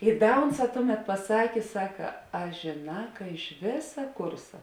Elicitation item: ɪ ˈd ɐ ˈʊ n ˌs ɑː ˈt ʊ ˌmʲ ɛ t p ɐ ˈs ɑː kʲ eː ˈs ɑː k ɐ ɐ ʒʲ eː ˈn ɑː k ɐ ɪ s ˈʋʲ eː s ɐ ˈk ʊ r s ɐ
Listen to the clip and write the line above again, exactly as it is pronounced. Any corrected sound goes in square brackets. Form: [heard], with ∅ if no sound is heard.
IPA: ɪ ˈd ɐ ˈʊ n ˌs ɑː ˈt ʊ ˌmʲ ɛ t p ɐ ˈs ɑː kʲ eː ˈs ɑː k ɐ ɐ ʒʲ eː ˈn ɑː k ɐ ɪ [ʃ] ˈʋʲ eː s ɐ ˈk ʊ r s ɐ